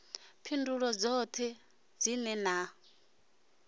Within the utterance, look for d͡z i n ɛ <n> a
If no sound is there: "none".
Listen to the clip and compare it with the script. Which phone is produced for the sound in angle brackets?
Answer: n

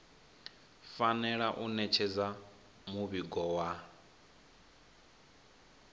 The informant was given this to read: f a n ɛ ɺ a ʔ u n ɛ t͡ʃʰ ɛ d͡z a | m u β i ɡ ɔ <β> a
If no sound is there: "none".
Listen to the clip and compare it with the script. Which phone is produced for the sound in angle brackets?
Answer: w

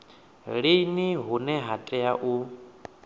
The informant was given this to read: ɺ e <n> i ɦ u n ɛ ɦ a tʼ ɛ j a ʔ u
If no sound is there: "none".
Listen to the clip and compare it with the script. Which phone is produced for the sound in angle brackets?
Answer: n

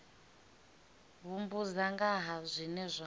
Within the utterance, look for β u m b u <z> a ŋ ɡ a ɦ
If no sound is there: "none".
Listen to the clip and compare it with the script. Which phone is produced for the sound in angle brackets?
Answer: z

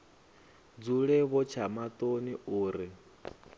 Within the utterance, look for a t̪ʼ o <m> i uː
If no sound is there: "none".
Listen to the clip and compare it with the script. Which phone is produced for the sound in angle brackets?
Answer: n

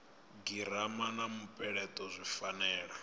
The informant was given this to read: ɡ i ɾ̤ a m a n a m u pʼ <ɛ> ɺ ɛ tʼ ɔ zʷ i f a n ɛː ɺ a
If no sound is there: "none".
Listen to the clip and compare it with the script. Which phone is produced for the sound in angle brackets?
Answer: ɛ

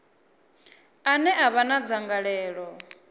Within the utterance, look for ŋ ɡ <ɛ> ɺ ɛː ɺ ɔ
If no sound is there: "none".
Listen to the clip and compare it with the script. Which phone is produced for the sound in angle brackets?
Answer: a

